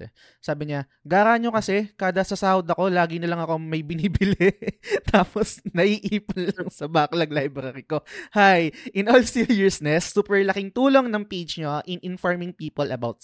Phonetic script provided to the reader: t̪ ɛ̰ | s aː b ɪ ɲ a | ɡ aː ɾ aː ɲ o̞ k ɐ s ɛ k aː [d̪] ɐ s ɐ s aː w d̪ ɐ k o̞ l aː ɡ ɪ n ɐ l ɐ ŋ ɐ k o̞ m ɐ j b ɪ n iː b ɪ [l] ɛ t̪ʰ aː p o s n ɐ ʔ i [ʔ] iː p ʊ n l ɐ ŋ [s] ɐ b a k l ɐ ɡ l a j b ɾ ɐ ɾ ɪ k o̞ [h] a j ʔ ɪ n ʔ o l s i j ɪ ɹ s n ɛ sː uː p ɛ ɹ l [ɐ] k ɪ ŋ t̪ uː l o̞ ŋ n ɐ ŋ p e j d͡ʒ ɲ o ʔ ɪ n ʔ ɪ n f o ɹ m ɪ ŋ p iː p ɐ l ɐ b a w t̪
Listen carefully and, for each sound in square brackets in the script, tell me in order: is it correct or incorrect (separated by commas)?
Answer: correct, correct, correct, correct, correct, correct